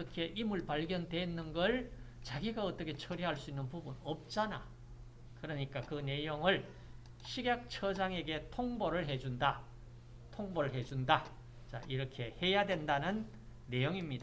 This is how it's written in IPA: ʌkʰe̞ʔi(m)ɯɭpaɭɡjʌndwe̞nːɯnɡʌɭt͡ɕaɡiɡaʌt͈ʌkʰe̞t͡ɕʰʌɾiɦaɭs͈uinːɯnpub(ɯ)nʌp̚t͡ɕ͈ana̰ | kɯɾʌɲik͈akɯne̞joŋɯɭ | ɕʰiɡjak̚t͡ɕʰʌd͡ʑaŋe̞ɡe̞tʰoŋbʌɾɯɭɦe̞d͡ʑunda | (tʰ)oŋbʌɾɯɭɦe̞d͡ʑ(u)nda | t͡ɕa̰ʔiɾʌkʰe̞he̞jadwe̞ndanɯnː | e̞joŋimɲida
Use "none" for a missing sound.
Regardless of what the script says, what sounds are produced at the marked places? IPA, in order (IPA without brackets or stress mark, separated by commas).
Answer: m, u, tʰ, u